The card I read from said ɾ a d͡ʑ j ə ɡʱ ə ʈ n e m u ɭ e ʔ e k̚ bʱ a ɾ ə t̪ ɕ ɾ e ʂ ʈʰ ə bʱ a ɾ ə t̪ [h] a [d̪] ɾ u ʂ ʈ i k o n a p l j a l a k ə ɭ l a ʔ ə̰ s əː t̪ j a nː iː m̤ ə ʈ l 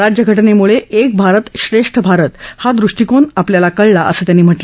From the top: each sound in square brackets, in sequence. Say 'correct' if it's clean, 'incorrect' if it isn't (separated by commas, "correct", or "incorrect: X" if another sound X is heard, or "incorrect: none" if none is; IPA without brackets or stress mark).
correct, correct